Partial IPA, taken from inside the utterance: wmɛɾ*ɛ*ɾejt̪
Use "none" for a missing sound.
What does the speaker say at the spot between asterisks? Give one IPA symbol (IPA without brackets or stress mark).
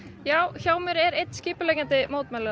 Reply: ɛ